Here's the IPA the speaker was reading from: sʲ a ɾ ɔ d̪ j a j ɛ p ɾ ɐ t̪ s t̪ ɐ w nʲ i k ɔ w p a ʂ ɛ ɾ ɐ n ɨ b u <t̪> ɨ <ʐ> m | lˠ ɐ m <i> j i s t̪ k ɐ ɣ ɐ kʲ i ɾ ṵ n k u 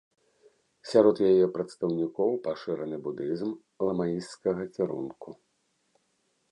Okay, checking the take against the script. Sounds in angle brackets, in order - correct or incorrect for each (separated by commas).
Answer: incorrect, incorrect, incorrect